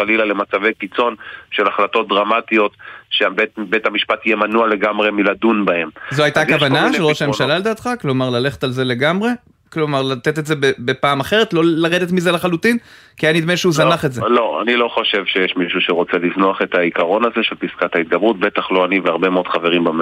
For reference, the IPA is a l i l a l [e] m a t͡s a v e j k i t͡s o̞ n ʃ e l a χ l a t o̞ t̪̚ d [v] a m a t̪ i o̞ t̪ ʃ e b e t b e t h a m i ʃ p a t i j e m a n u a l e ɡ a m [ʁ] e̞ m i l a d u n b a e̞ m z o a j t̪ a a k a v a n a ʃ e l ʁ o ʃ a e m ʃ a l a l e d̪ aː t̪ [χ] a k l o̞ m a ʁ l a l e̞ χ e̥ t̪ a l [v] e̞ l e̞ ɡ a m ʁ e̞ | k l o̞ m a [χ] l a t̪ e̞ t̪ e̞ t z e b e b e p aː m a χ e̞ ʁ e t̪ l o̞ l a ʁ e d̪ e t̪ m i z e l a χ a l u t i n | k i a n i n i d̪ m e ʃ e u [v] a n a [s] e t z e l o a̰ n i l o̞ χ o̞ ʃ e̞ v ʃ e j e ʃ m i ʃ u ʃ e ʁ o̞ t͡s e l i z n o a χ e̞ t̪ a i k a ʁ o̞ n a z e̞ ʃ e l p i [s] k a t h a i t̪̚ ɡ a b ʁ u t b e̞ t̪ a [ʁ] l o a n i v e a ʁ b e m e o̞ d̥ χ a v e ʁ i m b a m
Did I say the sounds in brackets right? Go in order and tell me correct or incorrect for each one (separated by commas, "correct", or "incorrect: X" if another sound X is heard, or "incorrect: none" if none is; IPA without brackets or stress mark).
correct, incorrect: ʁ, correct, correct, incorrect: z, incorrect: ʁ, incorrect: z, incorrect: χ, correct, incorrect: χ